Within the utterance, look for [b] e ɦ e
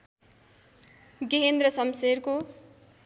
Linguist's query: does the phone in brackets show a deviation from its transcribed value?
yes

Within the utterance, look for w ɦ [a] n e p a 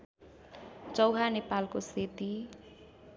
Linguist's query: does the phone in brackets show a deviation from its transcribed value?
no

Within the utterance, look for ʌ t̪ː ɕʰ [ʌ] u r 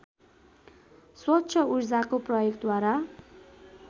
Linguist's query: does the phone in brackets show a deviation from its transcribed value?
no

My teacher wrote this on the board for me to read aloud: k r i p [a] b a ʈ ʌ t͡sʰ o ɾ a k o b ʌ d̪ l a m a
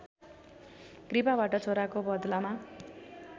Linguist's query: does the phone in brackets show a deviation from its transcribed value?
no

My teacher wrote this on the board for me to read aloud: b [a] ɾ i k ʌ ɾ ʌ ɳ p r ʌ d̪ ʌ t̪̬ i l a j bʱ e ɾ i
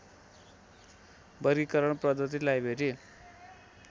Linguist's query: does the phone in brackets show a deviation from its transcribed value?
yes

